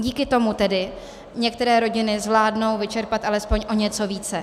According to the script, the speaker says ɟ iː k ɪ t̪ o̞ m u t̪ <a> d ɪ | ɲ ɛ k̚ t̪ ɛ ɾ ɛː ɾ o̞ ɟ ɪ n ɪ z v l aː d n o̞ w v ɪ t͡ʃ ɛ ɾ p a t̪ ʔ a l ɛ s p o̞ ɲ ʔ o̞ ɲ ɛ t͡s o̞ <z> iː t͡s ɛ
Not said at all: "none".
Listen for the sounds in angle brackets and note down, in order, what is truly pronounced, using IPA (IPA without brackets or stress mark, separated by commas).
ɛ, v